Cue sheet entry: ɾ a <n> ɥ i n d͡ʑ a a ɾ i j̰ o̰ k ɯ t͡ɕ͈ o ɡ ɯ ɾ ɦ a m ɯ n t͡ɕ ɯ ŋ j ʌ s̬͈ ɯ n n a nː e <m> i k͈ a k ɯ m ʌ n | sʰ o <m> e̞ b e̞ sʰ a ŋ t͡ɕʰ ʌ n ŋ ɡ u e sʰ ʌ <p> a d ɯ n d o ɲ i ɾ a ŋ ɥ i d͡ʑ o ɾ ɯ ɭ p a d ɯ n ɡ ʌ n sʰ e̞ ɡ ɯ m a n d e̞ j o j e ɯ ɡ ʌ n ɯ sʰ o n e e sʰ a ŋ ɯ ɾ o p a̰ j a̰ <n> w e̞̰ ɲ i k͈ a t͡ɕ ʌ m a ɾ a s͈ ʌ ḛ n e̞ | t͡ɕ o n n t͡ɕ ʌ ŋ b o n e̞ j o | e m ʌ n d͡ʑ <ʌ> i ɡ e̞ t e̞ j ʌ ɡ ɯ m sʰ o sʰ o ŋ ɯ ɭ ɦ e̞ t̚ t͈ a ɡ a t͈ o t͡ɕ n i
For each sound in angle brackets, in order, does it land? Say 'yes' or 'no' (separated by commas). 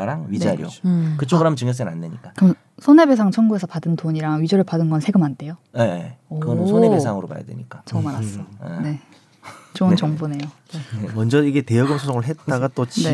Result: no, no, no, yes, no, yes